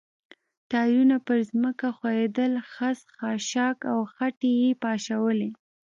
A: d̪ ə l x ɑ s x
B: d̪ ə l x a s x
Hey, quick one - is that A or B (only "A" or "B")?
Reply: B